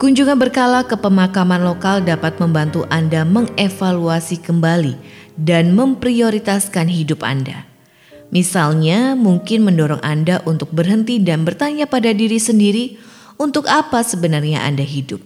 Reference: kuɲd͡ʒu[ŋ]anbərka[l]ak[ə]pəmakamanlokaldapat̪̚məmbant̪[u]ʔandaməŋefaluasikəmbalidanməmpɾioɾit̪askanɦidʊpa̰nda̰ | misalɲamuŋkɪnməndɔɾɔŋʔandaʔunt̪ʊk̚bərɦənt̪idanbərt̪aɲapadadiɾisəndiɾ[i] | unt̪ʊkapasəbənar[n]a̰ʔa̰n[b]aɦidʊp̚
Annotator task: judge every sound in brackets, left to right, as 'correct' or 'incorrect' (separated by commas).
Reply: correct, correct, correct, correct, correct, incorrect, incorrect